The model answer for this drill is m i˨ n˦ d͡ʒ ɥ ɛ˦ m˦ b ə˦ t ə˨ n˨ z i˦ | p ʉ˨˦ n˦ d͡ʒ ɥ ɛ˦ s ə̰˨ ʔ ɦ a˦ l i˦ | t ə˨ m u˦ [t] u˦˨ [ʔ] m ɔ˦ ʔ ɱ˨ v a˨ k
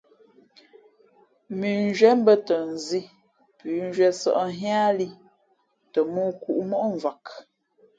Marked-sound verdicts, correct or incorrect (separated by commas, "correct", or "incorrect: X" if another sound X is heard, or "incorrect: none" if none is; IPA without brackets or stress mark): incorrect: k, correct